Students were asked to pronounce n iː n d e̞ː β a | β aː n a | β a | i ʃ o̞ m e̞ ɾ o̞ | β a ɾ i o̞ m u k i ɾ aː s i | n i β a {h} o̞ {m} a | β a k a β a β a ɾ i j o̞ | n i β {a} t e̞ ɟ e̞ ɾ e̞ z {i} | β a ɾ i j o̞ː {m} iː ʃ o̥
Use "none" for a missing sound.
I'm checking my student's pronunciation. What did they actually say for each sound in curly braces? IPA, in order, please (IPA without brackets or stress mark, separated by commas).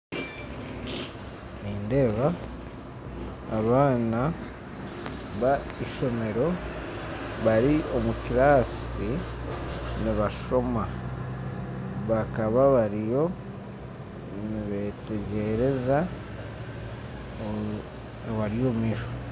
ʃ, m, e, a, m